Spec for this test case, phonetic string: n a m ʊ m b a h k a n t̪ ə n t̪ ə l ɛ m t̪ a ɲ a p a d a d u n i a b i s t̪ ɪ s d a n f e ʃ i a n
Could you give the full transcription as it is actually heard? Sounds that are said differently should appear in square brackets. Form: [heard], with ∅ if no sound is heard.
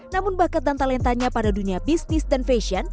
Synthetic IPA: n a m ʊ [n] b a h k a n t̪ [a] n t̪ [a] l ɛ [n] t̪ a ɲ a p a d a d u n i a b i s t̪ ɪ s d a n f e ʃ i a n